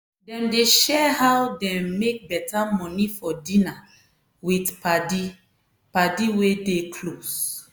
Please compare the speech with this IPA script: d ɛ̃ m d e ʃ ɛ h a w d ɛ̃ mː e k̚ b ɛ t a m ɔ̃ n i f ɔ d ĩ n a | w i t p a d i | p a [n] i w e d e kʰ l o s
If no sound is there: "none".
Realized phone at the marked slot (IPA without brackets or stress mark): d